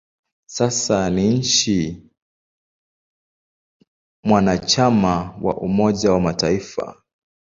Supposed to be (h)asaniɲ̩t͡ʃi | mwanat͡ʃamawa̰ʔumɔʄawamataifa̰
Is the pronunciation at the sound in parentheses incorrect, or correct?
incorrect